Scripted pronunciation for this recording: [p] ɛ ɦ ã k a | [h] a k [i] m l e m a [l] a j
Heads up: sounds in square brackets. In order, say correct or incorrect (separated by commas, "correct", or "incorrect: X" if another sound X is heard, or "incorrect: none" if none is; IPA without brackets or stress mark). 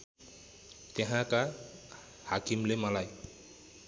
incorrect: t, correct, correct, correct